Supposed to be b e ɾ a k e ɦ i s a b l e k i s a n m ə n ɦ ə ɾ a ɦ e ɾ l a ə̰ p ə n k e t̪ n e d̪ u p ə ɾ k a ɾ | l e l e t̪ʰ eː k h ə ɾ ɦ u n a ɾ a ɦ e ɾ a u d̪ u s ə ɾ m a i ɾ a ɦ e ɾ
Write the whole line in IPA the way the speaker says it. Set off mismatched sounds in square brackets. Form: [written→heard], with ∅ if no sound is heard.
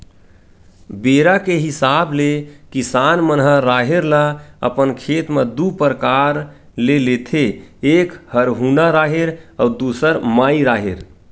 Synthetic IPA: b e ɾ a k e ɦ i s a b l e k i s a n m ə n ɦ ə ɾ a ɦ e ɾ l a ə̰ p ə n [k→kʰ] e t̪ [n→m] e d̪ u p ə ɾ k a ɾ | l e l e t̪ʰ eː k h ə ɾ ɦ u n a ɾ a ɦ e ɾ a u d̪ u s ə ɾ m a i ɾ a ɦ e ɾ

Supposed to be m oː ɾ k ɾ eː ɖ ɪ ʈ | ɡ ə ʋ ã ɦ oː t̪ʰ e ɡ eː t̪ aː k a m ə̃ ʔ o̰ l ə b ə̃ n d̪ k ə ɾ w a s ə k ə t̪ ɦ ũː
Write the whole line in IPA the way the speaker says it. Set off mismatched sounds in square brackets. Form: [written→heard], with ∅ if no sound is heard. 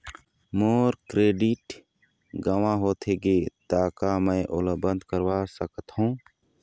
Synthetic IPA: m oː ɾ k ɾ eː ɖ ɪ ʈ | ɡ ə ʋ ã ɦ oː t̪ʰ e ɡ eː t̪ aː k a m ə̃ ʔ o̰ l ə b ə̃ n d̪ k ə ɾ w a s ə k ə t̪ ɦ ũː

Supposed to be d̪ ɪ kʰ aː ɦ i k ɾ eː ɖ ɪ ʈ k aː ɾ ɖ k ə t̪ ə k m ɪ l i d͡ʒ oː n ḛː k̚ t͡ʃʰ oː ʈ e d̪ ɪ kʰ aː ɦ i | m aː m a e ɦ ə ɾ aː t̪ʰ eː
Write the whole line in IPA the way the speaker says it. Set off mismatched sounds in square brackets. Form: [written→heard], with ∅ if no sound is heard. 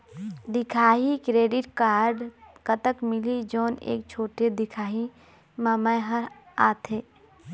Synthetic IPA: d̪ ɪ kʰ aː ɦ i k ɾ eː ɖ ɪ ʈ k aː ɾ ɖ k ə t̪ ə k m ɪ l i d͡ʒ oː n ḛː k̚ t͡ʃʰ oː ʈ e d̪ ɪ kʰ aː ɦ i | m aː m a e ɦ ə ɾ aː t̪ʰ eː

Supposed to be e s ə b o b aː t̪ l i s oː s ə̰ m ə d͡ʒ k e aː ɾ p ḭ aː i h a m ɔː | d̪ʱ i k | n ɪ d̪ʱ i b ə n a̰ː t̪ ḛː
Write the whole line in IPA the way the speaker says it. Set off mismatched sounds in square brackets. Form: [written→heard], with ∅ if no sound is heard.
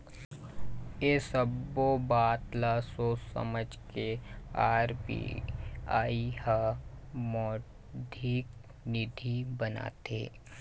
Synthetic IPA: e s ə b o b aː t̪ l [i→a] s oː s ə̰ m ə d͡ʒ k e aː ɾ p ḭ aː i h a m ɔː | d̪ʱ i k | n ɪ d̪ʱ i b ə n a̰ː t̪ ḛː

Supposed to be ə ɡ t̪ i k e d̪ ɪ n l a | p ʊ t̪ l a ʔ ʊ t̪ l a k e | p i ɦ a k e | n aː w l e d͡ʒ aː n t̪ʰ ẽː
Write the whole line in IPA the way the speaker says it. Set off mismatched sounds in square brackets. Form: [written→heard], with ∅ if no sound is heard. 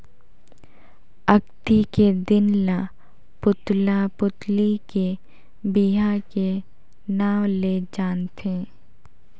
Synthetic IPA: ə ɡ t̪ i k e d̪ ɪ n l a | p ʊ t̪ l a [ʔ→p] ʊ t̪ l [a→i] k e | [p→b] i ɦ a k e | n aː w l e d͡ʒ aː n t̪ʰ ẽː

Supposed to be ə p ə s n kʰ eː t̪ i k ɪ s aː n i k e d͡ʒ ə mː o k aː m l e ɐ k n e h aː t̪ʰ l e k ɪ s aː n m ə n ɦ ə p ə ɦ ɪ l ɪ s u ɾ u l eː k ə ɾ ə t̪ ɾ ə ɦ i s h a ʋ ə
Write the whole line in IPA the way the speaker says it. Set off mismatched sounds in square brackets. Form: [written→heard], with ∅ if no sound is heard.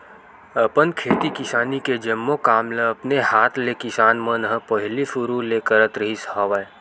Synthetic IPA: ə p ə [s→∅] n kʰ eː t̪ i k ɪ s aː n i k e d͡ʒ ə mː o k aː m l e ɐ [k→p] n e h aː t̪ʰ l e k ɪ s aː n m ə n ɦ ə p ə ɦ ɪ l [ɪ→i] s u ɾ u l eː k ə ɾ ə t̪ ɾ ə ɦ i s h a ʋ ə

